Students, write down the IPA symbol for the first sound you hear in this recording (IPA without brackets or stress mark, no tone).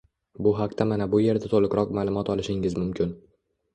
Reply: b